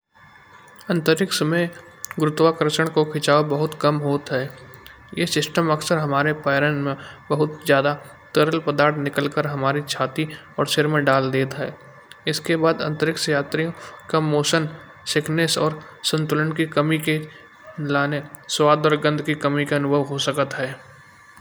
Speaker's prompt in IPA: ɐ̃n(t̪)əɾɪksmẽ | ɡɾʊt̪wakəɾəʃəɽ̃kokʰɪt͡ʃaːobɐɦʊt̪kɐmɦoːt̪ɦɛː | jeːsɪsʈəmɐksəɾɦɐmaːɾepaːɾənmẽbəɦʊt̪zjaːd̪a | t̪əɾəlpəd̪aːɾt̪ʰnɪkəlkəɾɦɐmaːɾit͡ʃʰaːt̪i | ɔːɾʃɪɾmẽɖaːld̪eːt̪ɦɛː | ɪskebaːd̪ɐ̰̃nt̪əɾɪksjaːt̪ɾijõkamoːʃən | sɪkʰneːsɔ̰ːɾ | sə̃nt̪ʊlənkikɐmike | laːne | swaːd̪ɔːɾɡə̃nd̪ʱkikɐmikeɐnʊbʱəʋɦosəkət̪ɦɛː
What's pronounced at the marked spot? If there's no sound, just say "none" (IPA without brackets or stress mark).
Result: t̪